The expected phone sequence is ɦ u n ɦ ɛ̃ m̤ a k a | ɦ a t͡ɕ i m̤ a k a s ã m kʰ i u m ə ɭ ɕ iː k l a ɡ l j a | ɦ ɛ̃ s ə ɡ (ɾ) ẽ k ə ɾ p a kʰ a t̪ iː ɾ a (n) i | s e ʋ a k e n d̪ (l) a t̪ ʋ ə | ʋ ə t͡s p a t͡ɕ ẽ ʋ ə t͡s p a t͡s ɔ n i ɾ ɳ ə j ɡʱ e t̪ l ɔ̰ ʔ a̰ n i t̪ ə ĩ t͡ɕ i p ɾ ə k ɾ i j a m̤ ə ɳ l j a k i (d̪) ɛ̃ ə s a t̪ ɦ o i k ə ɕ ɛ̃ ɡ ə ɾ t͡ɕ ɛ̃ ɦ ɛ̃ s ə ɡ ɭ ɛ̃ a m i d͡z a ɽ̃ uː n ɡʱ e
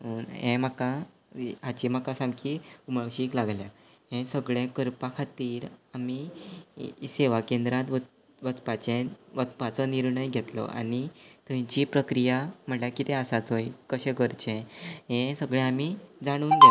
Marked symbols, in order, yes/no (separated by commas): no, no, no, no